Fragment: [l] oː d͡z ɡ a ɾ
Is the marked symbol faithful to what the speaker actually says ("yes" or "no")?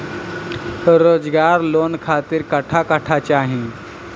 no